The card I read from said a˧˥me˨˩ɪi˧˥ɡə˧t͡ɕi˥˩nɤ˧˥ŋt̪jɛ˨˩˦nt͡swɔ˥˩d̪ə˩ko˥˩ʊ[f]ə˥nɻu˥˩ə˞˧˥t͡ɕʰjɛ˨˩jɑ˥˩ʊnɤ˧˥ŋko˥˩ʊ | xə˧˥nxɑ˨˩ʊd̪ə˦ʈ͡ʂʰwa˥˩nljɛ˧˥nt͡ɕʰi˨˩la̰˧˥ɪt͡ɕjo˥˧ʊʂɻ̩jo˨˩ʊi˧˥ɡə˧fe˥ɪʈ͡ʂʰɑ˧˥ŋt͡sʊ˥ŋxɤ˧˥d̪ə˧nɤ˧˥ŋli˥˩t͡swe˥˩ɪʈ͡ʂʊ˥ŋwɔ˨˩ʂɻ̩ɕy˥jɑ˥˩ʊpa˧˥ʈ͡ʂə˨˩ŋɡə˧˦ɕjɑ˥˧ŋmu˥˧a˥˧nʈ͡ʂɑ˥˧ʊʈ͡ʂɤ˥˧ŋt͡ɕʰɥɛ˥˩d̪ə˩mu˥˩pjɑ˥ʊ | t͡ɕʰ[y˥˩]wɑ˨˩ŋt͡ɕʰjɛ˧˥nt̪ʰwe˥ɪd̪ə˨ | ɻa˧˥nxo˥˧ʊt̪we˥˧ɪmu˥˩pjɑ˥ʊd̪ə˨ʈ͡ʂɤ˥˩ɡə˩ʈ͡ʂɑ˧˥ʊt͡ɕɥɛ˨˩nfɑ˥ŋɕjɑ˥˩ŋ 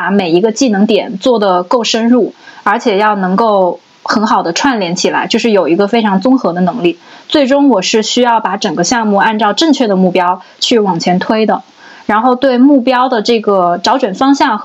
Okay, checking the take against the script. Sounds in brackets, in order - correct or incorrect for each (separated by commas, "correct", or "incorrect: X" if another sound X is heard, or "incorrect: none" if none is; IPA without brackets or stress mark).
incorrect: ʂ, correct